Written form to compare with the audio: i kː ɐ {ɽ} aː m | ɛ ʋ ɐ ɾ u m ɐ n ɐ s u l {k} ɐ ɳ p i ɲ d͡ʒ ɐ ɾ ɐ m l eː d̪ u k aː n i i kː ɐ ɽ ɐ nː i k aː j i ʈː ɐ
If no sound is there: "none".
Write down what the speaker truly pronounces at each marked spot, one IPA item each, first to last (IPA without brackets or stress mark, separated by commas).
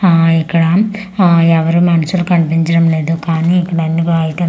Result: ɽ, k